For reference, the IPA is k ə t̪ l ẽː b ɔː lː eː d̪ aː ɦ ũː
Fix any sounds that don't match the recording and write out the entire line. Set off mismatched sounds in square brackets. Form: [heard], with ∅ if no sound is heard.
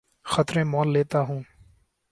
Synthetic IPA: [x] ə t̪ [ɾ] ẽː [m] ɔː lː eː [t̪] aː ɦ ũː